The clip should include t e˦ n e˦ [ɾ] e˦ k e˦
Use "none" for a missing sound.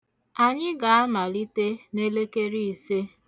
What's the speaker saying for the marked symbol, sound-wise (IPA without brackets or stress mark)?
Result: l